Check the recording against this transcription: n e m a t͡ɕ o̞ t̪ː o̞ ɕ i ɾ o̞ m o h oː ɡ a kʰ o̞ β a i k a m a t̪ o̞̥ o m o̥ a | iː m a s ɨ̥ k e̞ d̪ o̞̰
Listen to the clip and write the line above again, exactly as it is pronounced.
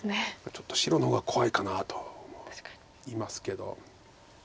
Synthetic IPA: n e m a t͡ɕ o̞ t̪ː o̞ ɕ i ɾ o̞ n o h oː ɡ a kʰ o̞ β a i k a n a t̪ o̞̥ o m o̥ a | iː m a s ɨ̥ k e̞ d̪ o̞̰